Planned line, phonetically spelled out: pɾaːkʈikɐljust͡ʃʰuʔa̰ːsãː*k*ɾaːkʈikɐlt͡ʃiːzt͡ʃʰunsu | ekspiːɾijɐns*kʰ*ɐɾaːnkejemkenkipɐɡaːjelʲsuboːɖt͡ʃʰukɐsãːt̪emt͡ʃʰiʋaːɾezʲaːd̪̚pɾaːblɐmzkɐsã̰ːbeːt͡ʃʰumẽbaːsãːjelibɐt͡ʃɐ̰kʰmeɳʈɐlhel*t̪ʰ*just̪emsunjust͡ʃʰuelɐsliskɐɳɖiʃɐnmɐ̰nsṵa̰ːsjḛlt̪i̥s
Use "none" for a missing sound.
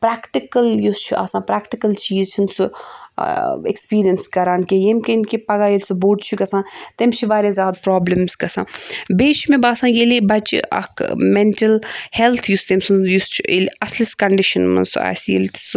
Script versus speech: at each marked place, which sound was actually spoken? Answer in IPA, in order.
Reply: p, k, t̪ʰ

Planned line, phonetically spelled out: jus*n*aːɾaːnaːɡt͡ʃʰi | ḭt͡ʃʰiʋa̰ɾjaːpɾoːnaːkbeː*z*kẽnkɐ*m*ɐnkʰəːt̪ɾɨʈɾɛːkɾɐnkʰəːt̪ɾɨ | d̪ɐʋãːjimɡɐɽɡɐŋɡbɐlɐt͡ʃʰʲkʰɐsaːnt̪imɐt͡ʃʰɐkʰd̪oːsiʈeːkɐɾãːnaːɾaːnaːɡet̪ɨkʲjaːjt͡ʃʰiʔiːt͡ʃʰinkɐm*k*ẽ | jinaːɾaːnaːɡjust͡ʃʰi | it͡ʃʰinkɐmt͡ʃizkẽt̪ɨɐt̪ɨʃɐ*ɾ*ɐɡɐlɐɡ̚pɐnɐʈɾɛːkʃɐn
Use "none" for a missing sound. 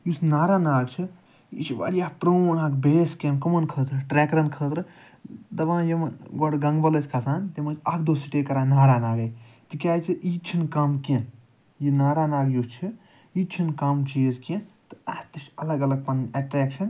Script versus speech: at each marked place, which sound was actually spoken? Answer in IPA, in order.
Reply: n, s, m, k, l

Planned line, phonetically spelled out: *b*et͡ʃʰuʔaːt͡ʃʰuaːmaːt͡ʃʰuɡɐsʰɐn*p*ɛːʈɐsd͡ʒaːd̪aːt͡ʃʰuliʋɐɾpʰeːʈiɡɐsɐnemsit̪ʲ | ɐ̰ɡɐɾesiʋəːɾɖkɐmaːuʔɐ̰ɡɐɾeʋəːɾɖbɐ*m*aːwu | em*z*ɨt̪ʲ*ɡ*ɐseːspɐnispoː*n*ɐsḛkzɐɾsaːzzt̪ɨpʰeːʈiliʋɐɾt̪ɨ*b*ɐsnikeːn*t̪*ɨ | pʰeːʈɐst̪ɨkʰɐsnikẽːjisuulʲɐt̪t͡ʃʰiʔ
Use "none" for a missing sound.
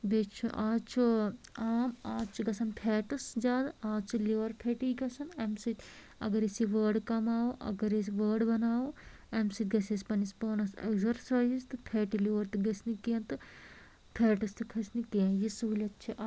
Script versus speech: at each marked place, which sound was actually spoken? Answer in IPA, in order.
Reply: b, pʰ, n, s, ɡ, n, ɡ, t̪

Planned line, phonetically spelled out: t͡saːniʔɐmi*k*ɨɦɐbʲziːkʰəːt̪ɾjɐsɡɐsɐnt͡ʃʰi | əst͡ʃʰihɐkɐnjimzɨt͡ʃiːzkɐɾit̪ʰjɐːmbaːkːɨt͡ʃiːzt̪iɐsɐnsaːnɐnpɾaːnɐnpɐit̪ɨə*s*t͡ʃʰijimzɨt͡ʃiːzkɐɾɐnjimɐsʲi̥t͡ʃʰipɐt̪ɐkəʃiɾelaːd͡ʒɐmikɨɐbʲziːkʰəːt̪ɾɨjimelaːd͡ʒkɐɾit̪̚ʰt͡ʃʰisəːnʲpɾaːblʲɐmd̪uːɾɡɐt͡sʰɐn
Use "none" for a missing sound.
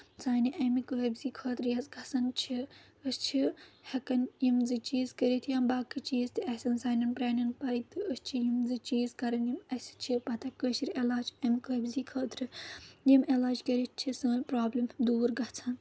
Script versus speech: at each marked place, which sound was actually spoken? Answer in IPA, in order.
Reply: k, s

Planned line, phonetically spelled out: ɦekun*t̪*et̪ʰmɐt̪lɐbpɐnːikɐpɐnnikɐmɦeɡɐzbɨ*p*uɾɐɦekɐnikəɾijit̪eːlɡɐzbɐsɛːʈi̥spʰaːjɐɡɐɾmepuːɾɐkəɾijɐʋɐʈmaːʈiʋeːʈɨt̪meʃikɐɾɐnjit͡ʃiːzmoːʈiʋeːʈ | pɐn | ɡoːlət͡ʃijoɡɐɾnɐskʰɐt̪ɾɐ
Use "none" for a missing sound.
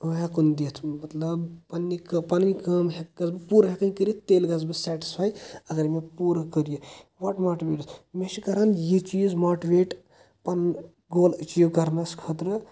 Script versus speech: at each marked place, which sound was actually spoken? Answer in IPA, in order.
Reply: d̪, p

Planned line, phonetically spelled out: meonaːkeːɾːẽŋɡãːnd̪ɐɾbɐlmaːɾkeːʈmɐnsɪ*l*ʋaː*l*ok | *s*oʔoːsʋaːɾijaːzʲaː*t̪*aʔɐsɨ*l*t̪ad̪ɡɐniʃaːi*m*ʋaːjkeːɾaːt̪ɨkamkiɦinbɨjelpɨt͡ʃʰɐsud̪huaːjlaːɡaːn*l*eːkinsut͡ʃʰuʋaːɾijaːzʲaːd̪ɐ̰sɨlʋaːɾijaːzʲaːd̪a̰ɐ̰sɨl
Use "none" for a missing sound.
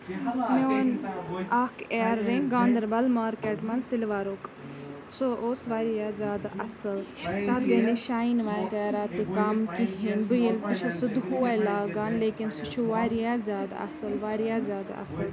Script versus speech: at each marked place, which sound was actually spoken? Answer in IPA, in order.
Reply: l, ɾ, s, d̪, l, n, l

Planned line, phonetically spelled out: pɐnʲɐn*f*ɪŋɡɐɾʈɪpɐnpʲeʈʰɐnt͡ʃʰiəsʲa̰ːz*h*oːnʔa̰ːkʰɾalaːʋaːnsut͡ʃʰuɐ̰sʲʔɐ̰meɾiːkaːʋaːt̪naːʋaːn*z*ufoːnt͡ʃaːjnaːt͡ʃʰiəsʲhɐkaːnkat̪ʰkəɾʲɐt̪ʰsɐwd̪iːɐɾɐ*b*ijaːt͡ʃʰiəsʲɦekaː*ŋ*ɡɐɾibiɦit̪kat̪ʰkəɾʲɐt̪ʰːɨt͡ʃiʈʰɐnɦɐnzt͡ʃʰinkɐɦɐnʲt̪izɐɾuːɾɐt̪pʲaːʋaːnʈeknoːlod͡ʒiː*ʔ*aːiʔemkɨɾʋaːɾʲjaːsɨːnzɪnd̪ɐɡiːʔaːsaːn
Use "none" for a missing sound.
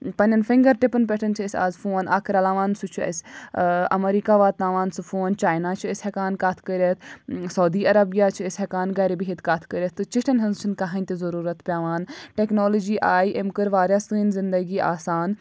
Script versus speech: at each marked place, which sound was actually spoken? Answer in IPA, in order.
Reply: f, f, s, b, n, ʔ

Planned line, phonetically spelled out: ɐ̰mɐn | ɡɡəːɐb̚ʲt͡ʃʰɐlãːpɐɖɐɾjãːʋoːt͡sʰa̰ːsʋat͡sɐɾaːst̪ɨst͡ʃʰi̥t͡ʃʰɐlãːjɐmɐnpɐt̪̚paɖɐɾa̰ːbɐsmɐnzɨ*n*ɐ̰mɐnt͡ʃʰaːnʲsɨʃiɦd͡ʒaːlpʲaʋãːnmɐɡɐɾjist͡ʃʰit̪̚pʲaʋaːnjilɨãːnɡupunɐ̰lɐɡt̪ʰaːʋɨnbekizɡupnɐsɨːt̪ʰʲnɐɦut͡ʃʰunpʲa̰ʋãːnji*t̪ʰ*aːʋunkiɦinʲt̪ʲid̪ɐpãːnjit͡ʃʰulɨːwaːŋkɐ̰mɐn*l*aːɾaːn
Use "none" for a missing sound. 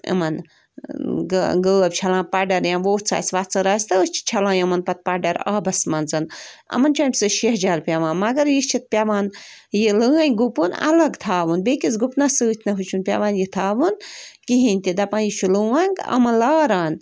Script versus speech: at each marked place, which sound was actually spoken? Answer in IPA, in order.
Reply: n, t̪ʰ, l

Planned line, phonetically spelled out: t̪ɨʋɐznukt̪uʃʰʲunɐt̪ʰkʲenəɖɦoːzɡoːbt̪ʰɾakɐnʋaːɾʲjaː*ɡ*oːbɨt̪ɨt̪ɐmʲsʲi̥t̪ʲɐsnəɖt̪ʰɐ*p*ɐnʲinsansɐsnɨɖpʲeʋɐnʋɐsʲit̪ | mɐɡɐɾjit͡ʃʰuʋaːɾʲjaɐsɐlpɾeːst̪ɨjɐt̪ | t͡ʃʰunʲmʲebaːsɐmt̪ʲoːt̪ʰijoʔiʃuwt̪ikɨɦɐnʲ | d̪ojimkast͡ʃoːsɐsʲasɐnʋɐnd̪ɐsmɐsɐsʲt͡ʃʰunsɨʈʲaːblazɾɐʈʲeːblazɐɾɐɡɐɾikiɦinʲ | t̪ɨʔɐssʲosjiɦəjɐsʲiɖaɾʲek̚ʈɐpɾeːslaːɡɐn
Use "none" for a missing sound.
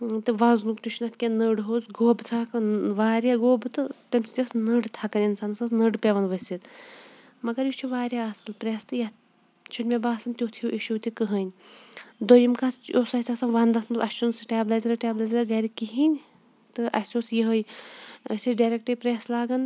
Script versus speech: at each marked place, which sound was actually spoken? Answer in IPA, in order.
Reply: ɡ, k

